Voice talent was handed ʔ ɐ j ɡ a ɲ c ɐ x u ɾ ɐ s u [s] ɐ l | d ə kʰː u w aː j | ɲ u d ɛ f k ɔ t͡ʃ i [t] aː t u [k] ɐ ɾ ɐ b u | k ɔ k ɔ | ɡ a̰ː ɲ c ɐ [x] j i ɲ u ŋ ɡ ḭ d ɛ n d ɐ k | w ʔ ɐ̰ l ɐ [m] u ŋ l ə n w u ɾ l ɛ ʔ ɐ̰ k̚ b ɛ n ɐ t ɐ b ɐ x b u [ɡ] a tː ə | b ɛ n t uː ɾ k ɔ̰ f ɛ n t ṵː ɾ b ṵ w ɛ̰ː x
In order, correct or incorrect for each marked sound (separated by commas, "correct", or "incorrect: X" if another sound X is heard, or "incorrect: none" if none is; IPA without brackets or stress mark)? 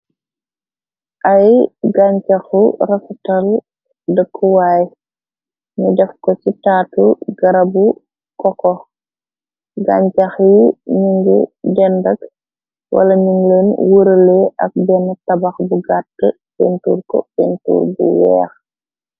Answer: incorrect: t, correct, incorrect: ɡ, correct, incorrect: ɲ, correct